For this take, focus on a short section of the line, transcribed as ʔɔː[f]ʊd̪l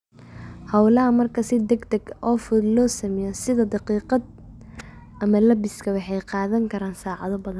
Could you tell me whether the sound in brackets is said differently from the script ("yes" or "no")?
no